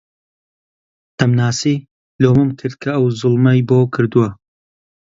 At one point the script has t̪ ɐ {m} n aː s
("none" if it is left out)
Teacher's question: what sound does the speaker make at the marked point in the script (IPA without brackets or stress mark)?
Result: m